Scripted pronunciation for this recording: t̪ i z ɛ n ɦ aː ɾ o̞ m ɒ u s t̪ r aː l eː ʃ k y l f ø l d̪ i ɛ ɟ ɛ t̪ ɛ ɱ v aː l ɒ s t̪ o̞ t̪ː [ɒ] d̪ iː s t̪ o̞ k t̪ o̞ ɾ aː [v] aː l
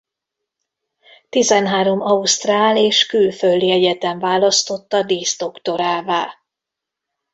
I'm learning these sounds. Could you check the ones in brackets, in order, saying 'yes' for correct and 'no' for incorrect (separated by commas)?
yes, yes